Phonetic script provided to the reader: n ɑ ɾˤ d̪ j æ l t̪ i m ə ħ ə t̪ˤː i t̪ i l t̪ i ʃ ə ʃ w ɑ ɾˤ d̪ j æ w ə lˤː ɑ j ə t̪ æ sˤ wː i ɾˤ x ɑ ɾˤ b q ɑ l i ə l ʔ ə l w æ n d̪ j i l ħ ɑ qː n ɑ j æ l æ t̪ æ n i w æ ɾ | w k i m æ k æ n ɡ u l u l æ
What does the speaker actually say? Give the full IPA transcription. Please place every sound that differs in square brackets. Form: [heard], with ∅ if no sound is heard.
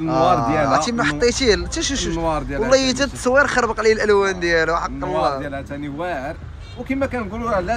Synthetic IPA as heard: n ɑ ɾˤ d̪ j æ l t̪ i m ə ħ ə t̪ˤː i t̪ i l t̪ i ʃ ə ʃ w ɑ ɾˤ d̪ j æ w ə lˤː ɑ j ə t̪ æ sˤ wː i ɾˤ x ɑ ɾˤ b q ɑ l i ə l ʔ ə l w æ n d̪ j [æ] l ħ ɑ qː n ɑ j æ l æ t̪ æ n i w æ ɾ | w k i m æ k æ n ɡ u l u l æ

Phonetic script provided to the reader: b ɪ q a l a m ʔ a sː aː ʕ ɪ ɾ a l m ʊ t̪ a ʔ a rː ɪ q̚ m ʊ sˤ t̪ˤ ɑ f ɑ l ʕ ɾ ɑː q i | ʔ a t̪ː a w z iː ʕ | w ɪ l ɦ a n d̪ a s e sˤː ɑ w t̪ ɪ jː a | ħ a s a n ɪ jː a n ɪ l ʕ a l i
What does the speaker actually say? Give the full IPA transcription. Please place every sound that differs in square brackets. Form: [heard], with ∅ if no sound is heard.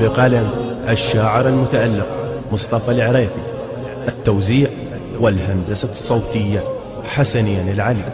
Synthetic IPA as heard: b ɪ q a l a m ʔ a [ʃː] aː ʕ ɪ ɾ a l m ʊ t̪ a ʔ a [lː] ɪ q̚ m ʊ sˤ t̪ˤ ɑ f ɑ l ʕ ɾ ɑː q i | ʔ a t̪ː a w z iː ʕ | w ɪ l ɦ a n d̪ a s [a] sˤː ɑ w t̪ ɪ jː a | ħ a s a n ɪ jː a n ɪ l ʕ a l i

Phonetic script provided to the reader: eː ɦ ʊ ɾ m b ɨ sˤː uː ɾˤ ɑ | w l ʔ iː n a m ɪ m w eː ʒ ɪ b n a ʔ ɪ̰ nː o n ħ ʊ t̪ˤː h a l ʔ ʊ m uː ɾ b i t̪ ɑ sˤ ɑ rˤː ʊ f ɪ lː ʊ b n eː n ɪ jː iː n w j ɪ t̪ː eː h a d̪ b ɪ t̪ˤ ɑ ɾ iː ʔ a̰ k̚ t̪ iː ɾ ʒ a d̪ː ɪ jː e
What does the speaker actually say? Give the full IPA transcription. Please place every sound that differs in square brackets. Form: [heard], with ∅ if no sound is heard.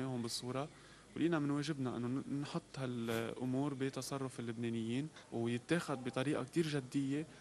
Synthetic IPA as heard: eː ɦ ʊ [∅] m b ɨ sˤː uː ɾˤ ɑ | w l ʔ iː n a m ɪ [n] w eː ʒ ɪ b n a ʔ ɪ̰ nː o n ħ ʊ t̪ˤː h a l ʔ ʊ m uː ɾ b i t̪ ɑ sˤ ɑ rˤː ʊ f ɪ lː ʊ b n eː n ɪ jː iː n w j ɪ t̪ː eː [x] a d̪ b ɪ t̪ˤ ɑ ɾ iː ʔ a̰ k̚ t̪ iː ɾ ʒ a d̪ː ɪ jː e

